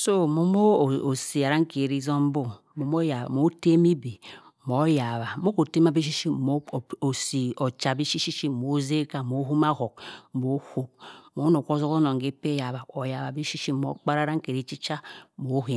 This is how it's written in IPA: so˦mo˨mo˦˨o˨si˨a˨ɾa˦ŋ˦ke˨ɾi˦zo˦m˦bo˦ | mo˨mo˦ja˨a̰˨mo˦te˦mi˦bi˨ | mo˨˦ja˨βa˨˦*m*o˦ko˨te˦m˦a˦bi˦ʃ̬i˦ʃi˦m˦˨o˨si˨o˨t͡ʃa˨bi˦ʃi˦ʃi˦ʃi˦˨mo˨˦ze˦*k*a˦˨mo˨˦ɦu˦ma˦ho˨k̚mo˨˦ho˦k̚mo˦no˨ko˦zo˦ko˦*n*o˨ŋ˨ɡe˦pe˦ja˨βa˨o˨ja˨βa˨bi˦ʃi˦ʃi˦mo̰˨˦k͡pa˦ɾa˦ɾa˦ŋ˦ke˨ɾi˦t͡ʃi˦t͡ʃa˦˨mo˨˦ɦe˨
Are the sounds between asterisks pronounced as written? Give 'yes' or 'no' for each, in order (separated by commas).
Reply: yes, yes, yes